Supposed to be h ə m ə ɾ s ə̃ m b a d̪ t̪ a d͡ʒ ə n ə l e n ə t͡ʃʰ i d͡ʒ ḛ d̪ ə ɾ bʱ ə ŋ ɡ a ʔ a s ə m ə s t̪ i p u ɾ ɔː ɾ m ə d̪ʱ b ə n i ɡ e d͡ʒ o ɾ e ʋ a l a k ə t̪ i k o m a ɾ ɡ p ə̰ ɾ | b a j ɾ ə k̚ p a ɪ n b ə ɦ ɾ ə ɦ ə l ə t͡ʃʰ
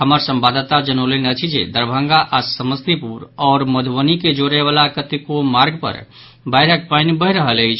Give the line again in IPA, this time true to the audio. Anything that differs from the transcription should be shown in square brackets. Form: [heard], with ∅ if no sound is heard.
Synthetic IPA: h ə m ə ɾ s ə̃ m b a d̪ t̪ a d͡ʒ ə n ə l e n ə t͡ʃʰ i d͡ʒ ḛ d̪ ə ɾ bʱ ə ŋ ɡ a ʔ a s ə m ə s t̪ i p u ɾ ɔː ɾ m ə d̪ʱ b ə n i [k] e d͡ʒ o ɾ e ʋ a l a k ə t̪ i k o m a ɾ ɡ p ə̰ ɾ | b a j ɾ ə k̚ p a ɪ n b ə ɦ ɾ ə ɦ ə l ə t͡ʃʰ